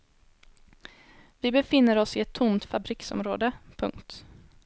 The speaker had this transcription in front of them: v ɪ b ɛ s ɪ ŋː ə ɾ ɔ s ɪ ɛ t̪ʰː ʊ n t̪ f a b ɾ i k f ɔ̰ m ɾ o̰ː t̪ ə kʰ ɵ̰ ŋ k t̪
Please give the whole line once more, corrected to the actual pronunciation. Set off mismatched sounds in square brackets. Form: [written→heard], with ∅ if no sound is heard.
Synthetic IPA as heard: v ɪ b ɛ [s→f] ɪ [ŋː→nː] ə ɾ ɔ s ɪ ɛ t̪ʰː ʊ [n→m] t̪ f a b ɾ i k [f→s] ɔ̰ m ɾ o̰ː [t̪→d̪] ə [kʰ→pʰ] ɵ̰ ŋ k t̪

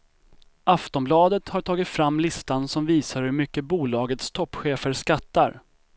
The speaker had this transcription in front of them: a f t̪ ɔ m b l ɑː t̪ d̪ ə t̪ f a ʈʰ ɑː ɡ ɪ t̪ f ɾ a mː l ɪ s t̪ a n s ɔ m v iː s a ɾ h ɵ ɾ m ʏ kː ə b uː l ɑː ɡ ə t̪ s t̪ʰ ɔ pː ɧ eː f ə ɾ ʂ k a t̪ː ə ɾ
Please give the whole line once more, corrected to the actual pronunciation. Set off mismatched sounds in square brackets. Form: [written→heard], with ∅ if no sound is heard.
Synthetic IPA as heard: a f t̪ ɔ m b l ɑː [t̪→∅] d̪ ə t̪ [f→h] a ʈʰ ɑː ɡ ɪ t̪ f ɾ a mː l ɪ s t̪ a n s ɔ m v iː s a ɾ h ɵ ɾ m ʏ kː ə b uː l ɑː ɡ ə t̪ s t̪ʰ ɔ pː ɧ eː f ə ɾ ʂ k a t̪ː [ə→a] ɾ

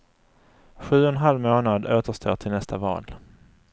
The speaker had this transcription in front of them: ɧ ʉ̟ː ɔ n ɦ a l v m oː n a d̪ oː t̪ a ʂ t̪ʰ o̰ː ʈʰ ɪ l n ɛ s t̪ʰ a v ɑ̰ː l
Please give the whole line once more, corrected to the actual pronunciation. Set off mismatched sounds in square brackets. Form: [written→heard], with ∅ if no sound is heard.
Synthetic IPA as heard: ɧ ʉ̟ː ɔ n ɦ a l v m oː n a d̪ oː t̪ [a→ə] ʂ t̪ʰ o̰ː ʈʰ ɪ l n ɛ s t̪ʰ a v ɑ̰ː l

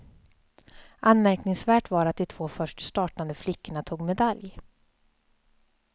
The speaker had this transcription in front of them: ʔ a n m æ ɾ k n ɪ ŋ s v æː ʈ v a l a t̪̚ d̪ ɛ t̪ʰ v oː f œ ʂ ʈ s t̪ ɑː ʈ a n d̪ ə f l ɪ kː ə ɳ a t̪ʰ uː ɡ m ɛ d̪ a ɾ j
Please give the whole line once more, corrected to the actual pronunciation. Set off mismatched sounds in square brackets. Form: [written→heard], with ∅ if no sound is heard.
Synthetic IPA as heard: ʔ a n m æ ɾ k n ɪ ŋ s v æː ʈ v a [l→ɾ] a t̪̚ d̪ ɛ t̪ʰ v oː f œ ʂ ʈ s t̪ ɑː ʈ a n d̪ ə f l ɪ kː ə ɳ a t̪ʰ uː ɡ m ɛ d̪ a [ɾ→l] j

